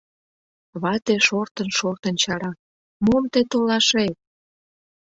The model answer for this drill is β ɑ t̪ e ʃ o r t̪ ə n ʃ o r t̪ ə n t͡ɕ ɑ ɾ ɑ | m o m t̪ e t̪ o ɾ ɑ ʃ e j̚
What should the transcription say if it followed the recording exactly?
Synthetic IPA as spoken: β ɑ t̪ e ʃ o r t̪ ə n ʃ o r t̪ ə n t͡ɕ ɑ ɾ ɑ | m o m t̪ e t̪ o l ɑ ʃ e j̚